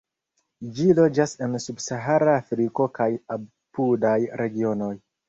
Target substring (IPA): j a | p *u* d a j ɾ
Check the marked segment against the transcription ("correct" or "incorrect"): correct